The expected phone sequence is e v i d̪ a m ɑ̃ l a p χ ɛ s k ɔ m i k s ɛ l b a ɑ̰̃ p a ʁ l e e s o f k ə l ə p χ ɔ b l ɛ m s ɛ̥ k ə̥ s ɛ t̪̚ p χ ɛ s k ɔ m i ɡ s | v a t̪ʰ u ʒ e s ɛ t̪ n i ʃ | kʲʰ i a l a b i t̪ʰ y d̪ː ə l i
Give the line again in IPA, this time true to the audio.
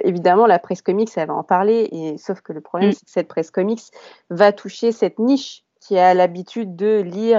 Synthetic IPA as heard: e v i d̪ a m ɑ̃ l a p χ ɛ s k ɔ m i k s ɛ l v a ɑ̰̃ p a ʁ l e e s o f k ə l ə p χ ɔ b l ɛ m s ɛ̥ k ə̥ s ɛ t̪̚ p χ ɛ s k ɔ m i k s | v a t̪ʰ u ʃ e s ɛ t̪ n i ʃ | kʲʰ i a l a b i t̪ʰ y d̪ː ə l i